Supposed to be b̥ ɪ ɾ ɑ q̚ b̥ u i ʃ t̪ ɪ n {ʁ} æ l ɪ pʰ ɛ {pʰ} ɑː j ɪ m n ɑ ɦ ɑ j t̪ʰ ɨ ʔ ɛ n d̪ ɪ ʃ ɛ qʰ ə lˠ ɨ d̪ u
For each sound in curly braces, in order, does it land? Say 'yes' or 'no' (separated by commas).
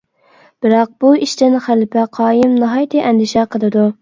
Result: no, no